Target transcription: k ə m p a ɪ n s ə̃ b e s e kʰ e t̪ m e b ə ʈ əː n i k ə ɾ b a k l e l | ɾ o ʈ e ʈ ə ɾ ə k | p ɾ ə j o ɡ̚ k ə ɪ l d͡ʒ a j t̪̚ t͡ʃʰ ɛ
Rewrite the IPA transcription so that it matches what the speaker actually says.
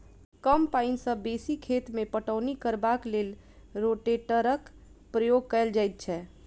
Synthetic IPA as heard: k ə m p a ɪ n s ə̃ b e s i kʰ e t̪ m e p ə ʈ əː n i k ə ɾ b a k l e l | ɾ o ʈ e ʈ ə ɾ ə k | p ɾ ə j o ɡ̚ k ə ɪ l d͡ʒ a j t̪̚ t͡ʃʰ ɛ